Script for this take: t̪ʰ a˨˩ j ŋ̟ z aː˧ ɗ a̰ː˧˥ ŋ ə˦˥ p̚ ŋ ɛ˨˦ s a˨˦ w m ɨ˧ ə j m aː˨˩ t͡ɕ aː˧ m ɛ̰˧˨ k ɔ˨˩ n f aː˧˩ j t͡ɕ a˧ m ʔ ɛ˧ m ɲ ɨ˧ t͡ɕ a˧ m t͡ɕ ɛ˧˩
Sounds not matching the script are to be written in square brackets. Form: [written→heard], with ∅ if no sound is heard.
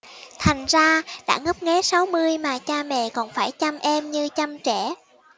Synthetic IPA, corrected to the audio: t̪ʰ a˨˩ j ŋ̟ z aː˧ ɗ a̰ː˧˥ ŋ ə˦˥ p̚ ŋ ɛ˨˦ s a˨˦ w m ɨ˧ ə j m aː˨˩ t͡ɕ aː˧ m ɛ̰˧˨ k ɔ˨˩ n f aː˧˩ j t͡ɕ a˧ m ʔ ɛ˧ m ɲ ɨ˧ t͡ɕ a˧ m t͡ɕ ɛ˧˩